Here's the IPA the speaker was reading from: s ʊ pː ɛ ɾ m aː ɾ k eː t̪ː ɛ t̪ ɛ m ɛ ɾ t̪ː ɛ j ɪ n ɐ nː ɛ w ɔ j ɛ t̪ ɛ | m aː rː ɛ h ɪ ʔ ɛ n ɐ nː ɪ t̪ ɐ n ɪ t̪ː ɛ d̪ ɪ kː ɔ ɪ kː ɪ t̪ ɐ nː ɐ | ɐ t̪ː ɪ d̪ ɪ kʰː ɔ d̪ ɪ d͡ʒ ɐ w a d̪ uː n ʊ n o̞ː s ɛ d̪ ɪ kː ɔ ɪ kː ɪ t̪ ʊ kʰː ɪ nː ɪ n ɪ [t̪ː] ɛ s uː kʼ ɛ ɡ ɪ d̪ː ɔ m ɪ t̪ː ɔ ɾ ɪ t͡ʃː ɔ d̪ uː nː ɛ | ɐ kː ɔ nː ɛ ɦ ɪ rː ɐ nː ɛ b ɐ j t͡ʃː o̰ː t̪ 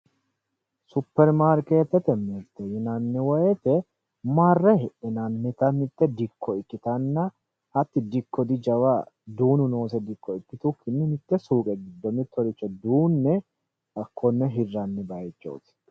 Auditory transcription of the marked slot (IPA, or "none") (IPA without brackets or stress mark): t̪ː